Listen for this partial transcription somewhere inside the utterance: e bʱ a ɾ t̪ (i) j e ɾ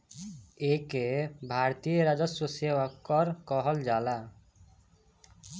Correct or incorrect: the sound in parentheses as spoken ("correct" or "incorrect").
correct